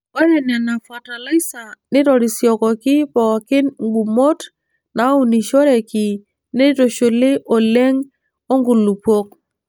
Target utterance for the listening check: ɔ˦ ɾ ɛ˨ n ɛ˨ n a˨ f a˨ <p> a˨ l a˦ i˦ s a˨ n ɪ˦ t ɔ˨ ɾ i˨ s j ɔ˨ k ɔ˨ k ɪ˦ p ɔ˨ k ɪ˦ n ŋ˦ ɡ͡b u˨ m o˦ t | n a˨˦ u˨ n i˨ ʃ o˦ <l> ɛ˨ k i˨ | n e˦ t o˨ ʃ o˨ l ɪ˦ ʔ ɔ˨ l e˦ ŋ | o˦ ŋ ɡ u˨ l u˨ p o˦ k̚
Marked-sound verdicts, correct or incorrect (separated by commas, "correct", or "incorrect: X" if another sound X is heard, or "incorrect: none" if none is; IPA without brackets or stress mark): incorrect: t, incorrect: ɾ